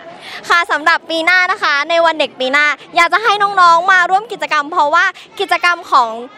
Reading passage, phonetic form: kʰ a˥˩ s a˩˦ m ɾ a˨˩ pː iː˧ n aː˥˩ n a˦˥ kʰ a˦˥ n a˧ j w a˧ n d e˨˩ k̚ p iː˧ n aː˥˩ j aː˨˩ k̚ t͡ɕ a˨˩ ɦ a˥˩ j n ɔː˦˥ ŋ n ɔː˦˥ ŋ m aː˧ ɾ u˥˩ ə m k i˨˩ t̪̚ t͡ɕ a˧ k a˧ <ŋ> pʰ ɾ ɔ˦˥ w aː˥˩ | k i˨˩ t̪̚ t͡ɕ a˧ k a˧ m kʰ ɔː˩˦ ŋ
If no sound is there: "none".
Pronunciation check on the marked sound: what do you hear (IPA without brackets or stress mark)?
m